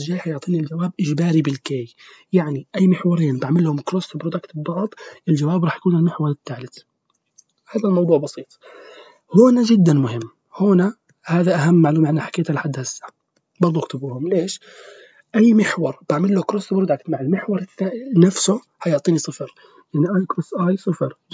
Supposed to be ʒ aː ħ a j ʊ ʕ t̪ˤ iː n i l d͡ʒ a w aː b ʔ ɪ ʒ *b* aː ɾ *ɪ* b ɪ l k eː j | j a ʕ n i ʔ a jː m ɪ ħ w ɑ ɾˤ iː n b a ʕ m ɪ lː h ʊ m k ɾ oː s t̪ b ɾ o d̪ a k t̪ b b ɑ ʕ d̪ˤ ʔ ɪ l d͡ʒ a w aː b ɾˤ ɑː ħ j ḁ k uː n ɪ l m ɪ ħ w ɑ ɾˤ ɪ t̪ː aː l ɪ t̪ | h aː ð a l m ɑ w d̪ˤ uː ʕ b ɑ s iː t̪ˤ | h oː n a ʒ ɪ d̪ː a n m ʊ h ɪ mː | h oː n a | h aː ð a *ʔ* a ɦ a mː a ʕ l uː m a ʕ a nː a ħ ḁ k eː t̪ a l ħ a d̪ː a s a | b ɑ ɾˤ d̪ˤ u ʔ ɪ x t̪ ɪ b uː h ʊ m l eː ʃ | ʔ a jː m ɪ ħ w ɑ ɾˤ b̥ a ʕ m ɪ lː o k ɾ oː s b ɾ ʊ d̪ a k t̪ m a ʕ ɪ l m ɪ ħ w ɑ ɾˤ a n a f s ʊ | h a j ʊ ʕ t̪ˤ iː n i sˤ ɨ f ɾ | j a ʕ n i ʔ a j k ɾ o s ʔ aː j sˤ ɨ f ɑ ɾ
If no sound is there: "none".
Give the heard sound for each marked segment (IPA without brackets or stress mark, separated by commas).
b, i, ʔ